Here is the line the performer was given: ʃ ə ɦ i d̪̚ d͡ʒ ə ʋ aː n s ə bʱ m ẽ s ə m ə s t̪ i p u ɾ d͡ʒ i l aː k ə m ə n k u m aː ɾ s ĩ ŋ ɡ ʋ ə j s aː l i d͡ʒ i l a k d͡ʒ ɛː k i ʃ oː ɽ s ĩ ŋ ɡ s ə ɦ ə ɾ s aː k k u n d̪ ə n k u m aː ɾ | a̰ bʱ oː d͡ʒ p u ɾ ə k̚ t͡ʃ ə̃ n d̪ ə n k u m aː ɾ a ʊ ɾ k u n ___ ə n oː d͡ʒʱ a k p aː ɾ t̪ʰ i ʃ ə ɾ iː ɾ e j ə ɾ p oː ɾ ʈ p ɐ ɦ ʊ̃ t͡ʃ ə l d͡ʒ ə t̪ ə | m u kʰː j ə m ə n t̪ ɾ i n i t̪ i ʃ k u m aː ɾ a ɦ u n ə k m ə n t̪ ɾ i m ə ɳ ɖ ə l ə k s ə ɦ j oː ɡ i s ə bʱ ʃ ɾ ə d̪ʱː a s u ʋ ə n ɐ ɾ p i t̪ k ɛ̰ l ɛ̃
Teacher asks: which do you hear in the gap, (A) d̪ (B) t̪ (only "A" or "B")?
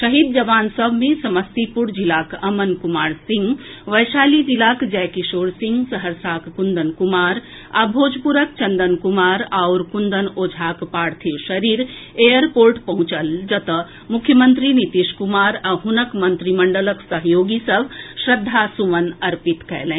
A